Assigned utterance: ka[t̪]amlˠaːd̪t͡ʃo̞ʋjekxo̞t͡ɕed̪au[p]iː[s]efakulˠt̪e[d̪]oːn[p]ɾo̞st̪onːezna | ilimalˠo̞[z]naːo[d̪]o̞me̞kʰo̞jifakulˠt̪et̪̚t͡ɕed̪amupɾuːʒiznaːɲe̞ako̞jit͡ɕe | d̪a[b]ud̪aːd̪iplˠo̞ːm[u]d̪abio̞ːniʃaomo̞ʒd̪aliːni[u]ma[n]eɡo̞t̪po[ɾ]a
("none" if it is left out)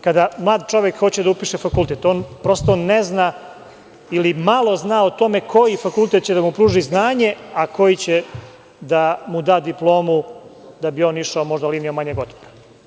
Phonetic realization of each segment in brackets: d̪, p, ʃ, t̪, p, z, t̪, m, u, o, ɲ, ɾ

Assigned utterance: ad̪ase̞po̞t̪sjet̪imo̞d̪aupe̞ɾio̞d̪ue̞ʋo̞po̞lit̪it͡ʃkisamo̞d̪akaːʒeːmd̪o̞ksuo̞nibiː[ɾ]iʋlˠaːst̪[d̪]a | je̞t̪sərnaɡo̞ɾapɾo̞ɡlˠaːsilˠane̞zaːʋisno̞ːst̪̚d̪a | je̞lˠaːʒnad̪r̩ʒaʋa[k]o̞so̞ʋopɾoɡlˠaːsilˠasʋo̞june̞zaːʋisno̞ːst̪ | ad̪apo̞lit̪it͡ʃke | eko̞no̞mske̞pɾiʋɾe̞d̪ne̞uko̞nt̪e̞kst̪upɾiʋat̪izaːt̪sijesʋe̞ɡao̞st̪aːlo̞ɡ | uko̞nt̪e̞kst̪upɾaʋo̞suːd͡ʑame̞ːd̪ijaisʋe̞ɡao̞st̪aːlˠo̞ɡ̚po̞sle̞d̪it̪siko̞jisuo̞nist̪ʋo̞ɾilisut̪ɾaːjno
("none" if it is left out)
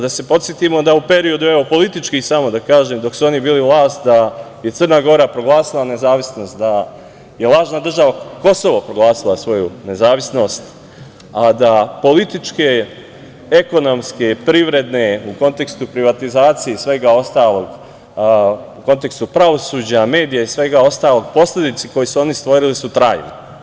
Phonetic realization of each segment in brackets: l, d̪, k

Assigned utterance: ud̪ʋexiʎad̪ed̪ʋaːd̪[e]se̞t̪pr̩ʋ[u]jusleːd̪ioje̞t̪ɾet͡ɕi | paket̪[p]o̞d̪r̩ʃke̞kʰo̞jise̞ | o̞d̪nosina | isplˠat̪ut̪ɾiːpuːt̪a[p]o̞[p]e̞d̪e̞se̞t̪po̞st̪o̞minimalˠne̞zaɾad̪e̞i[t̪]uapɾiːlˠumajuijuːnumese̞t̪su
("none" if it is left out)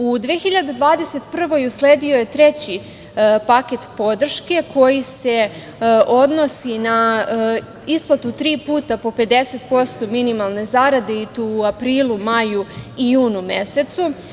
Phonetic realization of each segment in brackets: e, o, p, p, p, t̪

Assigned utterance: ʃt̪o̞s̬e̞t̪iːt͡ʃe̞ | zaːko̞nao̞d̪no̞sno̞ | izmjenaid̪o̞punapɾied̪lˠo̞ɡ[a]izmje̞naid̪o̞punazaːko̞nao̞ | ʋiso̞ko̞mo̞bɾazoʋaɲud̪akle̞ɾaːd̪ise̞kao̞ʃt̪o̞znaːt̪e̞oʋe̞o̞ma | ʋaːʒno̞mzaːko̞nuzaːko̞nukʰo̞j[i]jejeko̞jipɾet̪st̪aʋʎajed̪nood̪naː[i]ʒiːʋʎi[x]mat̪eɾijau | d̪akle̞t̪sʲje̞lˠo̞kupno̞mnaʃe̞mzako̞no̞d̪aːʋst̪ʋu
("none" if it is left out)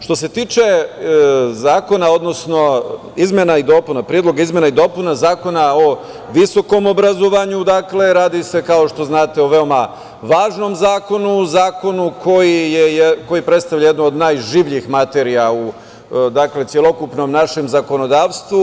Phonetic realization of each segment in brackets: a, i, j, x

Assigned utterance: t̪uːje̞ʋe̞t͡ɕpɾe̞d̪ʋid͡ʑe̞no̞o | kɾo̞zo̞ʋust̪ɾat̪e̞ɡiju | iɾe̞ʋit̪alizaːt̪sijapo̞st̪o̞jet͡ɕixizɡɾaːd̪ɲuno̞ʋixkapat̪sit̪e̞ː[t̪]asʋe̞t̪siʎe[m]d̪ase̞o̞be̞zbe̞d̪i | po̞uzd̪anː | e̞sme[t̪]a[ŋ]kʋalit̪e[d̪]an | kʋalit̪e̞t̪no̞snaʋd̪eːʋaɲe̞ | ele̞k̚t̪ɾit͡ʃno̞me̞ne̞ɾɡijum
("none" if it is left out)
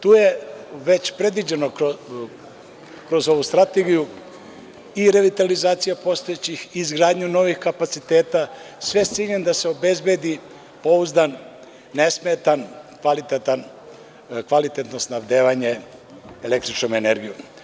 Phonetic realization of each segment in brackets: t̪, n, t̪, n, t̪

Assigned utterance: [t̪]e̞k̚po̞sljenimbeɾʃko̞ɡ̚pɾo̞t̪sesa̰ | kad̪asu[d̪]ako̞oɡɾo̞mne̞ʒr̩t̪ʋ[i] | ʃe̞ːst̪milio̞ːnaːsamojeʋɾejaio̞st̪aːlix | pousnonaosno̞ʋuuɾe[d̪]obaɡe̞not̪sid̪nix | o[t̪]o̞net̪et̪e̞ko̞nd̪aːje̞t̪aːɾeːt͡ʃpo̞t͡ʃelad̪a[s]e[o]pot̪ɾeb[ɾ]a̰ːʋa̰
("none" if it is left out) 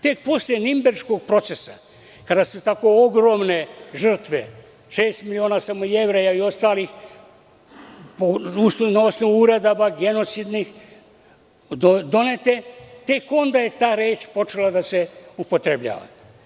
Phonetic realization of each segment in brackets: t̪, t̪, e, d̪, d̪, s, u, ʎ

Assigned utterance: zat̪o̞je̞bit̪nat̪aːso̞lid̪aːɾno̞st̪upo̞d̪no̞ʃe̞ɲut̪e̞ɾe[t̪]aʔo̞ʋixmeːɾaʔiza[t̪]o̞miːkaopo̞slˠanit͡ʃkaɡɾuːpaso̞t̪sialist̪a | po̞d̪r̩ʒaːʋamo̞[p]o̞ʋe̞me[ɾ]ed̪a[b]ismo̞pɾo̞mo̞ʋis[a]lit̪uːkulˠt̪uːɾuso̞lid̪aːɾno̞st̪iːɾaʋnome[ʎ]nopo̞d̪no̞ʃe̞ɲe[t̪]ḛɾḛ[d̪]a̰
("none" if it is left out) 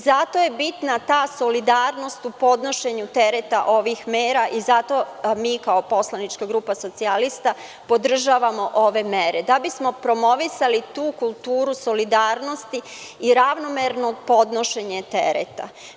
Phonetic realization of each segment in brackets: t̪, t̪, ʔ, ɾ, b, a, ɾ, t̪, t̪

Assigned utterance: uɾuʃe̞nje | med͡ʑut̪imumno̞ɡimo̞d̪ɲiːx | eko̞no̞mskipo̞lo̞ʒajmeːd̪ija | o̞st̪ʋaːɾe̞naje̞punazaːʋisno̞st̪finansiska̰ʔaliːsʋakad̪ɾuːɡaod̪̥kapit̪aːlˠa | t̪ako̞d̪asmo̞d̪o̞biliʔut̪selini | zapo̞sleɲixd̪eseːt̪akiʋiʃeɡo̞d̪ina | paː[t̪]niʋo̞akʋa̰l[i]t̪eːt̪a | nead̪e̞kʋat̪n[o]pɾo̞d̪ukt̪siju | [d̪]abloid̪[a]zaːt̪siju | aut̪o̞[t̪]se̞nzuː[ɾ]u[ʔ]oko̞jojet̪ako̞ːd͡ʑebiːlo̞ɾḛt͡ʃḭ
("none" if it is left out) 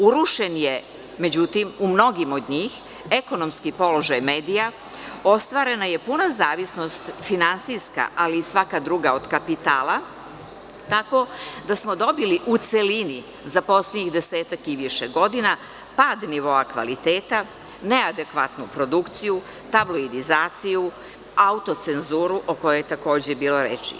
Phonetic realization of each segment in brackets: d̪, i, u, t̪, i, t̪, ɾ, ʔ

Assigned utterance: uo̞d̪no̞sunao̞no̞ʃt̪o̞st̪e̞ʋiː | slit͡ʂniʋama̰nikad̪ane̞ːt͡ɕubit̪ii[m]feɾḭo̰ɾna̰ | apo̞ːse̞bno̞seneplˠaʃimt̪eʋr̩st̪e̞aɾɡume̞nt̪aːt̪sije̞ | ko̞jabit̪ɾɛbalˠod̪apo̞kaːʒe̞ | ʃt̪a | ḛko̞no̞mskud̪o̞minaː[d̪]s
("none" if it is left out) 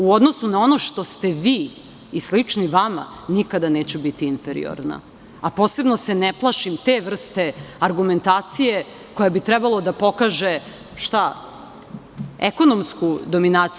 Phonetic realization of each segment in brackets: n, t̪

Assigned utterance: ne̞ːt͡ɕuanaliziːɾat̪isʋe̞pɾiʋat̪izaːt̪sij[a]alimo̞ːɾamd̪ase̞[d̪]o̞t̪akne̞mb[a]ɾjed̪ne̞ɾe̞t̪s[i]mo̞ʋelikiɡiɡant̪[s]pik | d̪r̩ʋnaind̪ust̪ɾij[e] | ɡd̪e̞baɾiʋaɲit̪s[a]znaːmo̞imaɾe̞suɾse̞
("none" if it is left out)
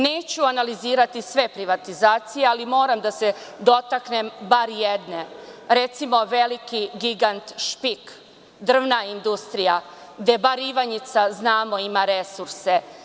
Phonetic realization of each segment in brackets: e, d̪, a, i, ʃ, a, a

